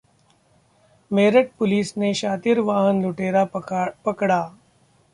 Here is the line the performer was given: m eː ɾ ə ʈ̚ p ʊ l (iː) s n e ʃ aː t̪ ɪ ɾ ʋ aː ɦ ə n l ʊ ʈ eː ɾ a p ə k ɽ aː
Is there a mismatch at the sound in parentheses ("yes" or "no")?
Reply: no